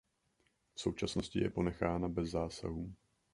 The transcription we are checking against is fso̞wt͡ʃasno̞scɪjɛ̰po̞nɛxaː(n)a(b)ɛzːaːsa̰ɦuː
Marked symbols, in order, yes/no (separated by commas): yes, yes